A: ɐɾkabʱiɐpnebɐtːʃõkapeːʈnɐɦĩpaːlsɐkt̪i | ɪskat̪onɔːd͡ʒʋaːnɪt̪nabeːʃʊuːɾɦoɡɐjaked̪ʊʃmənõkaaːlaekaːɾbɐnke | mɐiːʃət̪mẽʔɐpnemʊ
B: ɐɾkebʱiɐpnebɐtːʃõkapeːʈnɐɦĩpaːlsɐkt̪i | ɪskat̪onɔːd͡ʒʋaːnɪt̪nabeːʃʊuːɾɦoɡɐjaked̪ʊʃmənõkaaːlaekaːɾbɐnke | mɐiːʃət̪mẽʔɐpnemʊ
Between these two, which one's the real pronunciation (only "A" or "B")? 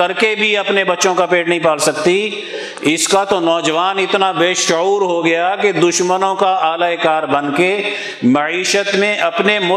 B